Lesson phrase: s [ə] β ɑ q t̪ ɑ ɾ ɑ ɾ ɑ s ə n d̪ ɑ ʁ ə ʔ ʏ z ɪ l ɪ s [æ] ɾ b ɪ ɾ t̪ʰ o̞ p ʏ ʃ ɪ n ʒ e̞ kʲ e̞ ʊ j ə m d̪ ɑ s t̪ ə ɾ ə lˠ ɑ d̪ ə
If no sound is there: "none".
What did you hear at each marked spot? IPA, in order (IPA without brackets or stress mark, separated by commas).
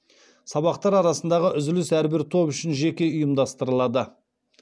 ɑ, æ